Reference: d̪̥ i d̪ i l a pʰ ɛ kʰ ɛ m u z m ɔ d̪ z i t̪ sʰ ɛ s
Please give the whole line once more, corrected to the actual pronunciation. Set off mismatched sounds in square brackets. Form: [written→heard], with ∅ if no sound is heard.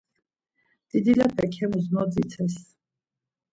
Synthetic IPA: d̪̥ i d̪ i l a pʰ ɛ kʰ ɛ m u z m ɔ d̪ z i t̪ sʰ ɛ s